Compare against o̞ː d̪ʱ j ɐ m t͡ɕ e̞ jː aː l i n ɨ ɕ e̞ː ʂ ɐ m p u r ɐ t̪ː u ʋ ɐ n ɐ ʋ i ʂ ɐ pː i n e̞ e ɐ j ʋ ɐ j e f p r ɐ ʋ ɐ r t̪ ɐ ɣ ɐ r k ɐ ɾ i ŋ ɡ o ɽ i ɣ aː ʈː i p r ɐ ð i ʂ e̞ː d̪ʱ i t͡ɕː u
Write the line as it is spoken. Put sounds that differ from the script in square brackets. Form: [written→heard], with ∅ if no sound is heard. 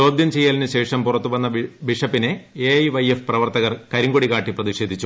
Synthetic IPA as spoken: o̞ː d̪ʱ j ɐ m t͡ɕ e̞ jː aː l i n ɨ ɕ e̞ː ʂ ɐ m p u r ɐ t̪ː u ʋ ɐ [n→nː] ɐ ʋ i ʂ ɐ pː i n e̞ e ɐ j ʋ ɐ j e f p r ɐ ʋ ɐ r t̪ ɐ ɣ ɐ r k ɐ ɾ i ŋ ɡ o ɽ i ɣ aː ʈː i p r ɐ ð i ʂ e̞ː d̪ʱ i t͡ɕː u